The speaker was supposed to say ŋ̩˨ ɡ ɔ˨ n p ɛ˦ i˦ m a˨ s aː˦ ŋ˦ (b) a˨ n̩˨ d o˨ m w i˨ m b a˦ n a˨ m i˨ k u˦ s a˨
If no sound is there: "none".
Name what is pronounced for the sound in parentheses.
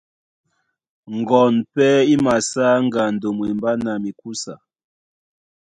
ɡ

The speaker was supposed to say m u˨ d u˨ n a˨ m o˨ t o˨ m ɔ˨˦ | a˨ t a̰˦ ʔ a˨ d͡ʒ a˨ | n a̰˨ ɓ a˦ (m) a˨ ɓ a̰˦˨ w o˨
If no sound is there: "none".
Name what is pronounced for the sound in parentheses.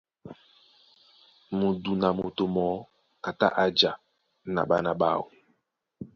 n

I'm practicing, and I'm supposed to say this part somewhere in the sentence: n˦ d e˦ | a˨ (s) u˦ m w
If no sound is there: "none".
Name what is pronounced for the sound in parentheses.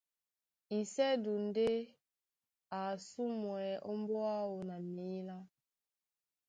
s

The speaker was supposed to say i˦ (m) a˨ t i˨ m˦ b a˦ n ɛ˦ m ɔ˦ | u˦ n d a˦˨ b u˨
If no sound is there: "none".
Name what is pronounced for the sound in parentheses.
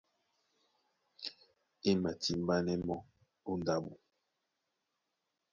m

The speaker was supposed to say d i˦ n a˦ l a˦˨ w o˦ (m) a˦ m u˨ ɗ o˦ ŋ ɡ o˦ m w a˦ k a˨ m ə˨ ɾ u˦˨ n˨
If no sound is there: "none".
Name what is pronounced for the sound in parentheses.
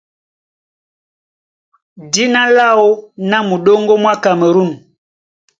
n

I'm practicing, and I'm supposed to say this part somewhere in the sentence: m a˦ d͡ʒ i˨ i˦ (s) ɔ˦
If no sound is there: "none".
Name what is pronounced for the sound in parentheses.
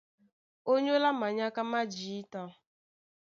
t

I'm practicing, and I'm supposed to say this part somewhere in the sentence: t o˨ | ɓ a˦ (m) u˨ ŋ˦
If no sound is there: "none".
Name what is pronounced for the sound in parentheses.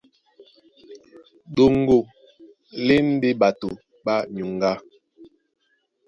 ɲ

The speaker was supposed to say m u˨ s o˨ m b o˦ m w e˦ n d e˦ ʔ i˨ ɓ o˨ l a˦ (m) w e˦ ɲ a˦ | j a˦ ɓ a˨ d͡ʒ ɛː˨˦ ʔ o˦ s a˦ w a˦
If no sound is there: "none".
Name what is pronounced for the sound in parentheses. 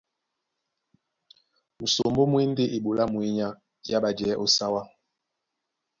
m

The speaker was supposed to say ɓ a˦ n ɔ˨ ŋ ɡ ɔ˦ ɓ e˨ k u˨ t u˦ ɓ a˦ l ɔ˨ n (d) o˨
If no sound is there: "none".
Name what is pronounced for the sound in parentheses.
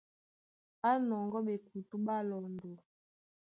d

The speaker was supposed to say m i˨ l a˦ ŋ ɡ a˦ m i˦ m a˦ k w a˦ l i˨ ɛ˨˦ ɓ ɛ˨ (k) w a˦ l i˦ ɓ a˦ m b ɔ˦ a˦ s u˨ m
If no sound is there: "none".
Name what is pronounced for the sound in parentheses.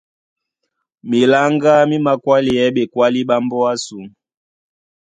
k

